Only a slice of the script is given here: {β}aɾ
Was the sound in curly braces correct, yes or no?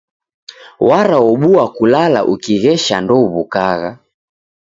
no